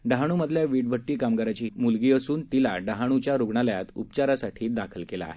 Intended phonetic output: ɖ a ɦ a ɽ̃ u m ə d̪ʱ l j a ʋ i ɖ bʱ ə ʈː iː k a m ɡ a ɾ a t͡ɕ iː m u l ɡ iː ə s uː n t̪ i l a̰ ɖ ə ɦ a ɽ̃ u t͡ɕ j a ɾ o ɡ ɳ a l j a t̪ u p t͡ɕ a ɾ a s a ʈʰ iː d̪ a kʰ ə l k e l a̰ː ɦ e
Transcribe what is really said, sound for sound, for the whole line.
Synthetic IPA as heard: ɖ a ɦ a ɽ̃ u m ə d̪ʱ l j a ʋ i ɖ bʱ ə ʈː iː k a m ɡ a ɾ a t͡ɕ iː m u l ɡ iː ə s uː n t̪ i l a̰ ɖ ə ɦ a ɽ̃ u t͡ɕ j a ɾ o ɡ ɳ a l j a t̪ u p t͡ɕ a ɾ a s a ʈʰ iː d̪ a kʰ ə l k e l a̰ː ɦ e